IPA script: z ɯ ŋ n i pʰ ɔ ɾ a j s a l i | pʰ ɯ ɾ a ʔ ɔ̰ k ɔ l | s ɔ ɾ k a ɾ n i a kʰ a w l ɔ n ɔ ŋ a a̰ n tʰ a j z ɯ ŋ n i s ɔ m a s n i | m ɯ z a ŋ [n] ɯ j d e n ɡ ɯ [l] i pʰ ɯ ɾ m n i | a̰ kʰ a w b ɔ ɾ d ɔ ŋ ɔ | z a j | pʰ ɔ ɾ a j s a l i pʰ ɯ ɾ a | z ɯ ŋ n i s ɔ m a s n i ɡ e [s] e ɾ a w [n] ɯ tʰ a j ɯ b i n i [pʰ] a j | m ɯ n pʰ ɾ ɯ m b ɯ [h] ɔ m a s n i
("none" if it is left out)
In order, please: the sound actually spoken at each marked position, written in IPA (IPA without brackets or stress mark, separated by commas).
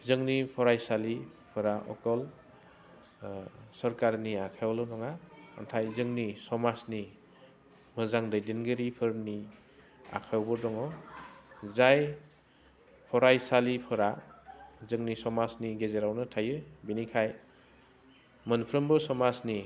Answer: d, ɾ, z, n, kʰ, s